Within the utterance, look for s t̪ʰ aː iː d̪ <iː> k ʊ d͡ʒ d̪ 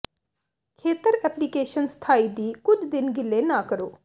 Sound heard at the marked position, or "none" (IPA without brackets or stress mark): iː